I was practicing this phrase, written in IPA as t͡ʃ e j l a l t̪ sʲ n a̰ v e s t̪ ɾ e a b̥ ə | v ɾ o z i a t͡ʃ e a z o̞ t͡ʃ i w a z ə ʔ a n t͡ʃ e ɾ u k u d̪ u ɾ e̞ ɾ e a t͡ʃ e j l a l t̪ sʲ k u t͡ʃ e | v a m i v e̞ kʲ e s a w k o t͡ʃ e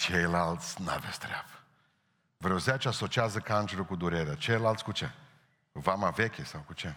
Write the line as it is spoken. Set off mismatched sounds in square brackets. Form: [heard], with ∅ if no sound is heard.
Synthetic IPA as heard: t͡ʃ e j l a l t̪ sʲ n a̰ v e s t̪ ɾ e a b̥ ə | v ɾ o z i a t͡ʃ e a [s] o̞ t͡ʃ i [∅] a z ə [k] a n t͡ʃ e ɾ u k u d̪ u ɾ e̞ ɾ e a t͡ʃ e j l a l t̪ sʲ k u t͡ʃ e | v a m [a] v e̞ kʲ e s a w k [u] t͡ʃ e